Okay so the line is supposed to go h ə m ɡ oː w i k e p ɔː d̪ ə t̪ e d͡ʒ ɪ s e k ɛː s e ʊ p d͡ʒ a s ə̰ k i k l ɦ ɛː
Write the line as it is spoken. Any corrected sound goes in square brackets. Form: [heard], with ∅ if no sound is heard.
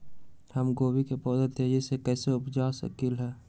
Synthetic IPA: h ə m ɡ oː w i k e p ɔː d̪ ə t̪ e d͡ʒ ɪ s e k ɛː s e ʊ p d͡ʒ a s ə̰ k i [∅] l ɦ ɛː